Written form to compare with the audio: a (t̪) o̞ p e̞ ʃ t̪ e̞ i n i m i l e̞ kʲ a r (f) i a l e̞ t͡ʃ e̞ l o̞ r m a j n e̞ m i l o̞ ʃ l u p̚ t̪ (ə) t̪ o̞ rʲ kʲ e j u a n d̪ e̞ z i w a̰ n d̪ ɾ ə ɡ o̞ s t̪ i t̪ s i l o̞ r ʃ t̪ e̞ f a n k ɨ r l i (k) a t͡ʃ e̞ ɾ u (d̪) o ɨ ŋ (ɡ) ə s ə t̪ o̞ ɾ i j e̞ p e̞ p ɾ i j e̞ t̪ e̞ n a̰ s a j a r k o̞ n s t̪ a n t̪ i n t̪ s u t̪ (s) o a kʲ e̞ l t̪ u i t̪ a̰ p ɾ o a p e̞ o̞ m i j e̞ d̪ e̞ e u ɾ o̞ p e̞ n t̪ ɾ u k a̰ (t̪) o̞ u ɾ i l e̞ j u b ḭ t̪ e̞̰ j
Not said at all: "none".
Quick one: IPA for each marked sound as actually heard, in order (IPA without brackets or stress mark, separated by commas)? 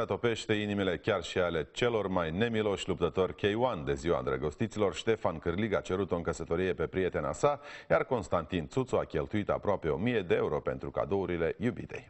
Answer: t̪, ʃ, ə, ɡ, t̪, k, s, d̪